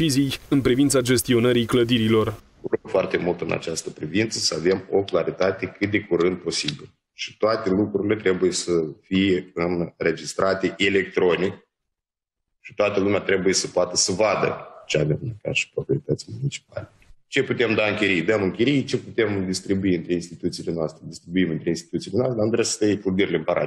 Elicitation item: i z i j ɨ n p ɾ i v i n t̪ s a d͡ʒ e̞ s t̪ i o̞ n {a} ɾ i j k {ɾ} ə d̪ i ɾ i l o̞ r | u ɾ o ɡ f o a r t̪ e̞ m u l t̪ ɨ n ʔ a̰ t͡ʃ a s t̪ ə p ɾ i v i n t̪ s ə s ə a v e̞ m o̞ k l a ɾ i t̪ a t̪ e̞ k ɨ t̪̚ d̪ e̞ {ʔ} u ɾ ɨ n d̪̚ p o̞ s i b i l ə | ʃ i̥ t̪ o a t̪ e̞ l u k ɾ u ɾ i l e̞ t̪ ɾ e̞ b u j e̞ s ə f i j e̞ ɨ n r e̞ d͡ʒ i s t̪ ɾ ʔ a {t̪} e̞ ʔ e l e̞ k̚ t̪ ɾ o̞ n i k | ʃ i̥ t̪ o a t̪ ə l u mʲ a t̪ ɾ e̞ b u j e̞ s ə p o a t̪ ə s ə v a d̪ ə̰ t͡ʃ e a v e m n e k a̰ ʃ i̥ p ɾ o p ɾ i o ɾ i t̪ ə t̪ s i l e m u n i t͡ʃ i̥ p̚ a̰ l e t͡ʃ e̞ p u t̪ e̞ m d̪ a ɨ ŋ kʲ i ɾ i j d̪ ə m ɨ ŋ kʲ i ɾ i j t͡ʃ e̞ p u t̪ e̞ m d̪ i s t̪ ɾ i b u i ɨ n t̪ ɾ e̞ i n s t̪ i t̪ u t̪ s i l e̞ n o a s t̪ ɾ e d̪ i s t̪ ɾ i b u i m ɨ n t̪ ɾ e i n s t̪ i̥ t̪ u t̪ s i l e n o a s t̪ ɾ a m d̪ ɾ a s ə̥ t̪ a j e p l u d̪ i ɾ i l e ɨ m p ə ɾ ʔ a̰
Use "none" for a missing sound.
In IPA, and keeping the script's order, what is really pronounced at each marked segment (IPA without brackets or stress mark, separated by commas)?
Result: ə, l, k, t̪